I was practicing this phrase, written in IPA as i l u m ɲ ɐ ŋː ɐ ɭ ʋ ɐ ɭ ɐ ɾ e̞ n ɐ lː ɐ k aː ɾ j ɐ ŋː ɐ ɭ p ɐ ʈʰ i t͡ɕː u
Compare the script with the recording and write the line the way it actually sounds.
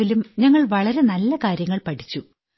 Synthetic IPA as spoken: i l u m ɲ ɐ ŋː ɐ ɭ ʋ ɐ ɭ ɐ ɾ e̞ n ɐ lː ɐ k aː ɾ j ɐ ŋː ɐ ɭ p ɐ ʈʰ i t͡ɕː u